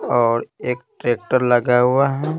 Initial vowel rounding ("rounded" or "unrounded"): rounded